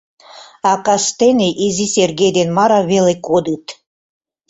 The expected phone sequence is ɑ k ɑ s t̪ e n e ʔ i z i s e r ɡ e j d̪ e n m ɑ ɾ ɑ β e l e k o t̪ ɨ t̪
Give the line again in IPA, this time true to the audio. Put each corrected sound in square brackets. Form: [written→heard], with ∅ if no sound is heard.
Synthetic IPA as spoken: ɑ k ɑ s t̪ e n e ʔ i z i s e r ɡ e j d̪ e n m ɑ ɾ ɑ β e l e k o [t̪→d̪] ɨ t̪